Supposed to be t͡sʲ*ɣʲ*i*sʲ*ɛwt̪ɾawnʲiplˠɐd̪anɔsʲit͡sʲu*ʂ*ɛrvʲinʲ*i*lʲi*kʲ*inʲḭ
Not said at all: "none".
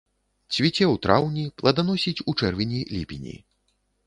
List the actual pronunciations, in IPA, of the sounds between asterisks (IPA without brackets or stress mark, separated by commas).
vʲ, t͡sʲ, t͡ʂ, i, pʲ